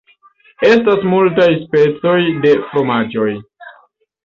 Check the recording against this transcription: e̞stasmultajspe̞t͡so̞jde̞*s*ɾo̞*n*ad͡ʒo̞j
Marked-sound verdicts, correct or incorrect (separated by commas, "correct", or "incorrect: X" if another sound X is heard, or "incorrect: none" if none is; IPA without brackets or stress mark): incorrect: f, incorrect: m